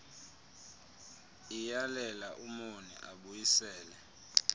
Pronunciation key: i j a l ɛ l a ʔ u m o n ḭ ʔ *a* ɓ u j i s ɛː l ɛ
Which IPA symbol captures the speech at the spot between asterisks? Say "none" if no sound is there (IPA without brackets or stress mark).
a